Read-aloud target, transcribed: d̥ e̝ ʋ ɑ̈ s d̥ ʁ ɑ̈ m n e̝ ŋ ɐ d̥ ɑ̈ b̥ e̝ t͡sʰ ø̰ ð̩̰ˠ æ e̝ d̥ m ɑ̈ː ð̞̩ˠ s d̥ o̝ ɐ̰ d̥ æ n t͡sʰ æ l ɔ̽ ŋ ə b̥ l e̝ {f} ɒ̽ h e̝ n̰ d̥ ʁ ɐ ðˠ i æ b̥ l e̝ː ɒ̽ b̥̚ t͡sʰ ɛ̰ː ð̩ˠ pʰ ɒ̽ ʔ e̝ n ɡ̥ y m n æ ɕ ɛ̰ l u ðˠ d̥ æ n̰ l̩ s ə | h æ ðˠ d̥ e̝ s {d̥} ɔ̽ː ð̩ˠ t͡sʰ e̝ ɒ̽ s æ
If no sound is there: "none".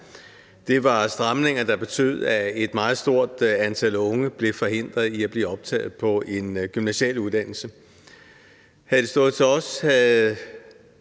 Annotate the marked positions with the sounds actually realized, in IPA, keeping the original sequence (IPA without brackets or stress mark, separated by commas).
f, d̥